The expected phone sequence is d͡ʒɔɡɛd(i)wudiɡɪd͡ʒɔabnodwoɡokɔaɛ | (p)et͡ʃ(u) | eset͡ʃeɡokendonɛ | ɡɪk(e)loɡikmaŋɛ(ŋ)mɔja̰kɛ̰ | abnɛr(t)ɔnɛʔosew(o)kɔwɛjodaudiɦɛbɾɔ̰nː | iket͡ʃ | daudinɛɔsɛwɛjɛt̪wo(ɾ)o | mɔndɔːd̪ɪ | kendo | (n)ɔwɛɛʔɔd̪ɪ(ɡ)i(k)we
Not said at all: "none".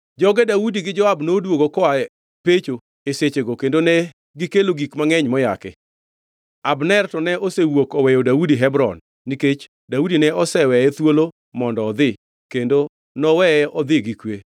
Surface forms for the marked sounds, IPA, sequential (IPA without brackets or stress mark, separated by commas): a, p, o, e, ɲ, t, o, l, n, ɡ, k